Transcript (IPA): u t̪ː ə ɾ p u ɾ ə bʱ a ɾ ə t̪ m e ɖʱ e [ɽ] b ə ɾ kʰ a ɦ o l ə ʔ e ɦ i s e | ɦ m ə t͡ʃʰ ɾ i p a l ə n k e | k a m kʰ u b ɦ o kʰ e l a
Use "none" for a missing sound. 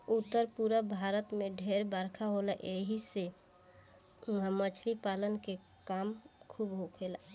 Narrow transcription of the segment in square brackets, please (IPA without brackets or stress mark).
ɾ